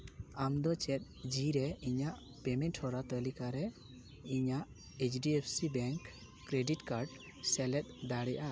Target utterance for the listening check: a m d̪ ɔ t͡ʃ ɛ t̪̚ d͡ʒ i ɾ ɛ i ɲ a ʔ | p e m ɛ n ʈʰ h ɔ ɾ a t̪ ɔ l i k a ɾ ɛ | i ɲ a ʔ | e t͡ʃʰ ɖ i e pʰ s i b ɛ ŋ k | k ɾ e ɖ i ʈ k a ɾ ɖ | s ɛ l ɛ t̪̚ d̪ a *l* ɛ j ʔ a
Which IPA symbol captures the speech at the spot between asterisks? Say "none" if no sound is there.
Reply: ɽ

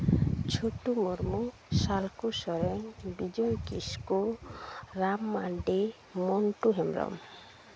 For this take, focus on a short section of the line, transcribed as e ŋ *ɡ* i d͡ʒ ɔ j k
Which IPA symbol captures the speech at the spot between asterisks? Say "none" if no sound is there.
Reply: b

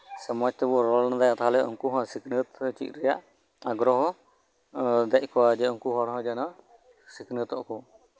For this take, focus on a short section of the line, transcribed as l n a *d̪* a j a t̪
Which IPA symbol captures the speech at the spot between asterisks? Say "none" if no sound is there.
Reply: d̪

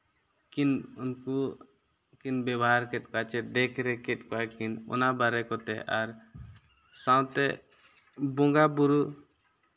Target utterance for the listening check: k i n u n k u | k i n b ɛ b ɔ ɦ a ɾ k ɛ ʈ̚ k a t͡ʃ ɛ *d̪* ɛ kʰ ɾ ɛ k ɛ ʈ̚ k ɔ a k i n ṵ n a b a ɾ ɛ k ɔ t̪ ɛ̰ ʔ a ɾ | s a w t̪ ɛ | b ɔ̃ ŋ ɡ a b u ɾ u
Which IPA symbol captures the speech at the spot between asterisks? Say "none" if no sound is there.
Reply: d̪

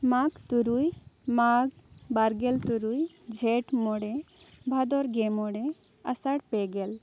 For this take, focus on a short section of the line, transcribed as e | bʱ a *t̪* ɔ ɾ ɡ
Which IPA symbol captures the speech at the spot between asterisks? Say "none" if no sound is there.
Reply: d̪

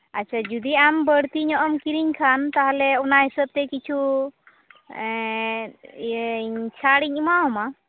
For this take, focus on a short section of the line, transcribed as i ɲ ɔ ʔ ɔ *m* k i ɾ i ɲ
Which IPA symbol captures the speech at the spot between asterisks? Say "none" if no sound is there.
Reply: m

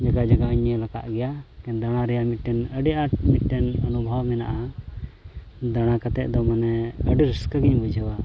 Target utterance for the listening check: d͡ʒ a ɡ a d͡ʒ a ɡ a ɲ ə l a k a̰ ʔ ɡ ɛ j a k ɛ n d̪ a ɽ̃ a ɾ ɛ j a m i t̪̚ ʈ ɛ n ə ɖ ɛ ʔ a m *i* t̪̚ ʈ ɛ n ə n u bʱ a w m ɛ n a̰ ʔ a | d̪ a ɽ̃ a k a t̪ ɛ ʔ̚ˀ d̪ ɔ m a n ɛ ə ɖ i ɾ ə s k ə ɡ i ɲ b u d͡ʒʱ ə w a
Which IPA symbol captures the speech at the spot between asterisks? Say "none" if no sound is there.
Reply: i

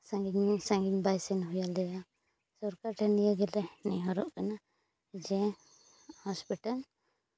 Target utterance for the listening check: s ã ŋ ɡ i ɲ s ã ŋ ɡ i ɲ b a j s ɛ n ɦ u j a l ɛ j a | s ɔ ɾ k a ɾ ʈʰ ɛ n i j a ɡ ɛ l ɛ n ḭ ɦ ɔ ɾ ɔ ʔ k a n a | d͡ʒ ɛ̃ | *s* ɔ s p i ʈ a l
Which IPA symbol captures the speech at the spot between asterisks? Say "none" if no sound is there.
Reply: h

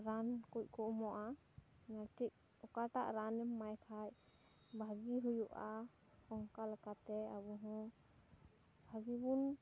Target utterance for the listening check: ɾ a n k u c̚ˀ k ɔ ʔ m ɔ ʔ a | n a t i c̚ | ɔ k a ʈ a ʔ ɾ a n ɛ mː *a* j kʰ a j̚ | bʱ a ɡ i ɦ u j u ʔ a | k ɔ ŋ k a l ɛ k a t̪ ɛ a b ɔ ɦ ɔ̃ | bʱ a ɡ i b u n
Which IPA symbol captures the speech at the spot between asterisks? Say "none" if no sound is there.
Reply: a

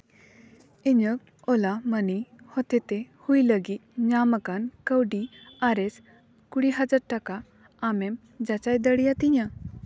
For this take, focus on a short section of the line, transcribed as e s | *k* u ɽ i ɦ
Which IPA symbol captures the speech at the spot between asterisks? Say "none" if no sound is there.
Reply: k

